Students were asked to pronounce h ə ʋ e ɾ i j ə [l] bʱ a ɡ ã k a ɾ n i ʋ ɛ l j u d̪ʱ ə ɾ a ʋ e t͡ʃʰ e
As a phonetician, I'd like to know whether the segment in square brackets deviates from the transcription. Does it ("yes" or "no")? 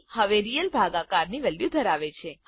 no